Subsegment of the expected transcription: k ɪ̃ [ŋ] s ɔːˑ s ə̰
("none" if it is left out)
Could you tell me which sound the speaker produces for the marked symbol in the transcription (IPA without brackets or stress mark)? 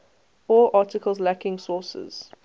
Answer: ŋ